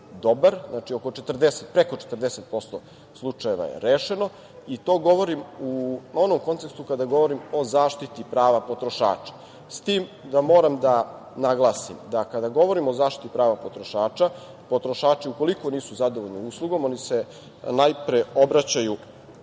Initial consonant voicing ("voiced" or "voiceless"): voiced